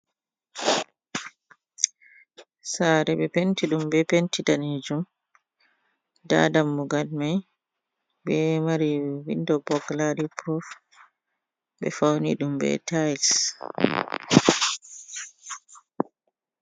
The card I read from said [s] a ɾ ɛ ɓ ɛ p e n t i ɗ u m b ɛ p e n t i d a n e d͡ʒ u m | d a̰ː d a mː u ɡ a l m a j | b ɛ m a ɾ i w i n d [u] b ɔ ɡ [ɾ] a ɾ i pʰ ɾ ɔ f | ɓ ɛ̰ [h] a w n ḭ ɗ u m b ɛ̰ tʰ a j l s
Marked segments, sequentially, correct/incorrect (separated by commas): correct, incorrect, incorrect, incorrect